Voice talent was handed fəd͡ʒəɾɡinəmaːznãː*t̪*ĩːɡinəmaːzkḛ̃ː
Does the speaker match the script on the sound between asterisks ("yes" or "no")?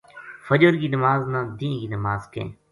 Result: no